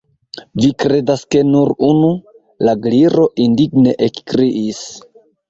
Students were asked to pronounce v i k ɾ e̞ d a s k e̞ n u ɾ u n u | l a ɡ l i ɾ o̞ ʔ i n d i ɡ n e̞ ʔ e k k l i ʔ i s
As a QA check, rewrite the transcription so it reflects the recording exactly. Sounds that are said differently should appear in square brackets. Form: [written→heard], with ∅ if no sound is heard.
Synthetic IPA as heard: v i k ɾ e̞ d a s k e̞ n u ɾ u n u | l a ɡ l i ɾ o̞ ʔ i n d i ɡ n e̞ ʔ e k k [l→ɾ] i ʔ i s